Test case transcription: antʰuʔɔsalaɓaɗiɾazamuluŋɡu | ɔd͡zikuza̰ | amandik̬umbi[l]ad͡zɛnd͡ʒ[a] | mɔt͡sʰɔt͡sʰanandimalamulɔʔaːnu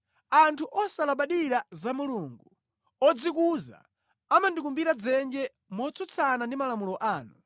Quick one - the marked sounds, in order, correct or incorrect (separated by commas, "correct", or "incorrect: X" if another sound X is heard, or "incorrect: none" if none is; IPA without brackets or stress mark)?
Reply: incorrect: ɾ, incorrect: ɛ